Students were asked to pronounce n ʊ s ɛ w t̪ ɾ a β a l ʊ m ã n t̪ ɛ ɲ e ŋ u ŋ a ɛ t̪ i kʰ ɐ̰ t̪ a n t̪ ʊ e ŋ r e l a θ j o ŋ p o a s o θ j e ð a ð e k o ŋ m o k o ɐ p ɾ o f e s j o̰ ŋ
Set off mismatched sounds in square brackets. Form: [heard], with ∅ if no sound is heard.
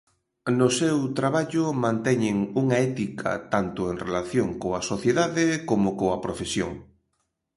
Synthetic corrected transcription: n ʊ s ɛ w t̪ ɾ a β a [ʎ] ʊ m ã n t̪ ɛ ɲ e ŋ u ŋ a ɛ t̪ i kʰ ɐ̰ t̪ a n t̪ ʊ e ŋ r e l a θ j o ŋ [k] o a s o θ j e ð a ð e k o [∅] m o k o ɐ p ɾ o f e s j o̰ ŋ